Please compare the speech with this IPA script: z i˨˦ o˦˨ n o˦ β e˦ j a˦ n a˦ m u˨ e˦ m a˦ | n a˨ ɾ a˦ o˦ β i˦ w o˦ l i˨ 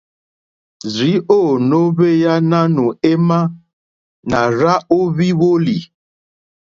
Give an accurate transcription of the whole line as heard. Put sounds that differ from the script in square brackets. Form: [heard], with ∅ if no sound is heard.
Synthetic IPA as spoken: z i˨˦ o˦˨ n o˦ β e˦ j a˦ n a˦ [n] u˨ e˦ m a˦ | n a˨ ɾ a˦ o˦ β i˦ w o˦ l i˨